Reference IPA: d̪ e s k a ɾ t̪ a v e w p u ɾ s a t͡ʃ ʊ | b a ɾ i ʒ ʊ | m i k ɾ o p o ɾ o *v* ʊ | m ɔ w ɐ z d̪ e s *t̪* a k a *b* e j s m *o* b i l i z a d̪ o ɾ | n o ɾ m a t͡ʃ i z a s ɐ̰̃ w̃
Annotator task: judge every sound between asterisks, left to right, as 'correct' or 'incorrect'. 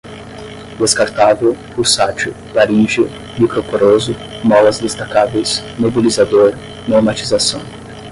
incorrect, correct, incorrect, correct

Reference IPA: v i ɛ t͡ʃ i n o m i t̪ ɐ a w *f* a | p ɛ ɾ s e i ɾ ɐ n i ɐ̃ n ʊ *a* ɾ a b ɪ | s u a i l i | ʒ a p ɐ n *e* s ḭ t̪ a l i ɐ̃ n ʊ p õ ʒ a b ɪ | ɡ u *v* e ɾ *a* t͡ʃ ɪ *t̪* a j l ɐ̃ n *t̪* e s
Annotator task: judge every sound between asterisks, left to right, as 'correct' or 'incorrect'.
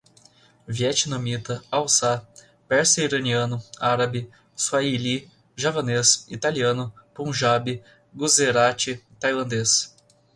incorrect, correct, correct, incorrect, correct, correct, incorrect

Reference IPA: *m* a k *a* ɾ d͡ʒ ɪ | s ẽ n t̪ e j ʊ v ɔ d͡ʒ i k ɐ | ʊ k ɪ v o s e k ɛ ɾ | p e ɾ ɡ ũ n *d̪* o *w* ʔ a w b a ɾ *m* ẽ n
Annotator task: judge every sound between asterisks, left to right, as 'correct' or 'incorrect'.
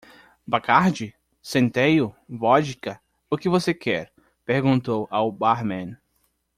incorrect, correct, incorrect, correct, correct

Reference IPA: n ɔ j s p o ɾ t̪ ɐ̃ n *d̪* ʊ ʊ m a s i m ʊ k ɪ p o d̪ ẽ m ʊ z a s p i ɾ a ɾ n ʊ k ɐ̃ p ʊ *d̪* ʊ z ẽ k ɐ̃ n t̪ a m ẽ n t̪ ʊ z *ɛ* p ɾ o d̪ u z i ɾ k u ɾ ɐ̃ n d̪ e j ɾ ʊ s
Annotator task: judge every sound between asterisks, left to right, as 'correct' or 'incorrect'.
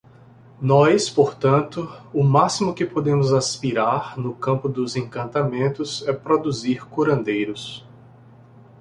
incorrect, correct, correct

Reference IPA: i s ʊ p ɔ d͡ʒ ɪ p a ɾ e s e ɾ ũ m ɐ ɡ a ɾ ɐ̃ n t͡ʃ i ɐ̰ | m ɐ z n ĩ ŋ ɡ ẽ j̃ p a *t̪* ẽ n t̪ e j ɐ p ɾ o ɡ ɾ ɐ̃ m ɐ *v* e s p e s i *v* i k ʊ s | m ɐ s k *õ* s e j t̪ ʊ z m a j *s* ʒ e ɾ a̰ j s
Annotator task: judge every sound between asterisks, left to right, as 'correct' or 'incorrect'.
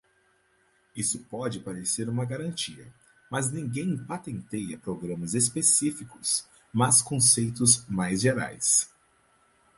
correct, incorrect, incorrect, correct, incorrect

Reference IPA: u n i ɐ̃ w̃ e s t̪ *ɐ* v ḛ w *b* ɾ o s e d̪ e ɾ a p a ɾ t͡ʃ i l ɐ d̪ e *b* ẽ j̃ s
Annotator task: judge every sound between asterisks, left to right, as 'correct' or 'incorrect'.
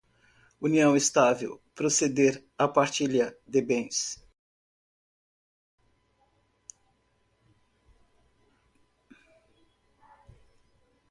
incorrect, incorrect, correct

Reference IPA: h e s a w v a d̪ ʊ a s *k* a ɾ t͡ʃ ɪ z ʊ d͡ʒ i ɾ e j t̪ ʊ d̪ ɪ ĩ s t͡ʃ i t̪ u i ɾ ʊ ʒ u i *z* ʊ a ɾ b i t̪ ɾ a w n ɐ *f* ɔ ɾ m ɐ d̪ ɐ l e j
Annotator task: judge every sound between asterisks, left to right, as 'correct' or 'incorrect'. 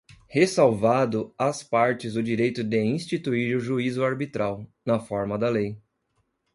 incorrect, correct, correct

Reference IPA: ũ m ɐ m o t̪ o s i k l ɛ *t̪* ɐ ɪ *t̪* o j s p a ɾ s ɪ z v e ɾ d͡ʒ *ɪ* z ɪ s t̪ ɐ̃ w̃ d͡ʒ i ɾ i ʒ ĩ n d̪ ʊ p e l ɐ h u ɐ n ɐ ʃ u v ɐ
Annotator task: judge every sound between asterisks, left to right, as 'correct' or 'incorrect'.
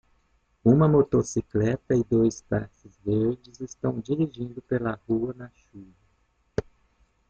correct, incorrect, correct

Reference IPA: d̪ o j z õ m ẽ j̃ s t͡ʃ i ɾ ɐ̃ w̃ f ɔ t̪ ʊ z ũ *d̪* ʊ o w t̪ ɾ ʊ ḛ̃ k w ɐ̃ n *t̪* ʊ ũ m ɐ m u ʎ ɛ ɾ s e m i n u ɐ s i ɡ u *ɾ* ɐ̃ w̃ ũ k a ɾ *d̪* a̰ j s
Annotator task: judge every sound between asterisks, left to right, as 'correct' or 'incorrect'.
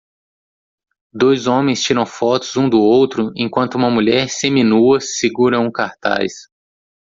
correct, correct, correct, incorrect

